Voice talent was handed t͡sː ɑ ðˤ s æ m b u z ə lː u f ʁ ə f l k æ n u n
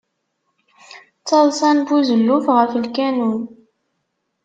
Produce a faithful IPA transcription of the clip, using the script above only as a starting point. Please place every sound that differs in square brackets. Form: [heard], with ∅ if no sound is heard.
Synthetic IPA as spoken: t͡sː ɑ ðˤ s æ [n] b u z ə lː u f ʁ ə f l k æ n u n